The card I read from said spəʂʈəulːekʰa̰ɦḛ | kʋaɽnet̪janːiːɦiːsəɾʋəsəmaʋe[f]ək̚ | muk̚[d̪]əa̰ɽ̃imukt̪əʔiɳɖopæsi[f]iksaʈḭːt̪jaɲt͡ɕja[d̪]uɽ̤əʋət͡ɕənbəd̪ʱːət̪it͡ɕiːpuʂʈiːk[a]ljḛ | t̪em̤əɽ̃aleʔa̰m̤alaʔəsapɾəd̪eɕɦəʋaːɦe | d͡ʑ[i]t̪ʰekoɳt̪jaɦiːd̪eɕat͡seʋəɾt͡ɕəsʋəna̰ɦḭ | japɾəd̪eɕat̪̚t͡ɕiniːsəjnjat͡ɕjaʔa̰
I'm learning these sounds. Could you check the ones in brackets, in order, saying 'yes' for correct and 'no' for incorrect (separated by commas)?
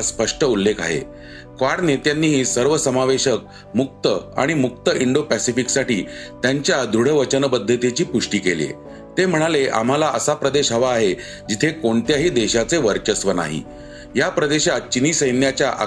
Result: no, no, yes, yes, no, yes